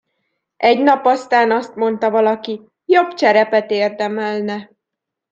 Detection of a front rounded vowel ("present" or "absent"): absent